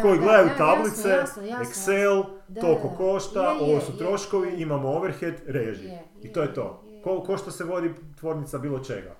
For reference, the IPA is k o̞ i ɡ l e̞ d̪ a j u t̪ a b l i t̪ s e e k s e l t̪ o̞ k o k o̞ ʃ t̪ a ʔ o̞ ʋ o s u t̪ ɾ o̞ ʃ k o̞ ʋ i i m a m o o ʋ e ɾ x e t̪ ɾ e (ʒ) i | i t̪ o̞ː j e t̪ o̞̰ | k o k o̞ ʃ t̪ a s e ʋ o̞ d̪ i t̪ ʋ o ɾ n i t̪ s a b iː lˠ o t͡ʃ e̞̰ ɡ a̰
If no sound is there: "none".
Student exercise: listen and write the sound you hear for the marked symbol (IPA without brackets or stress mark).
ʒ